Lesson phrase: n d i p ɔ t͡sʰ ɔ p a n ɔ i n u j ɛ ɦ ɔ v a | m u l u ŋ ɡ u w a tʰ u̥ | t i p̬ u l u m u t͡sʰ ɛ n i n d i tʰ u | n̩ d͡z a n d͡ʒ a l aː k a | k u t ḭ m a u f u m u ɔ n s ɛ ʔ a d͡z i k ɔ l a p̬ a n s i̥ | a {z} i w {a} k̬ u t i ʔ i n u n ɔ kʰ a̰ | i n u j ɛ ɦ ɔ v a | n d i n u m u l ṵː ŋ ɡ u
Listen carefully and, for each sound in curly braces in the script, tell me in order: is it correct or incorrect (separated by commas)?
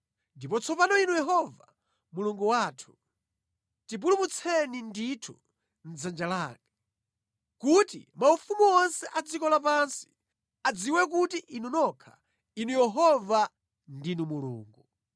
incorrect, incorrect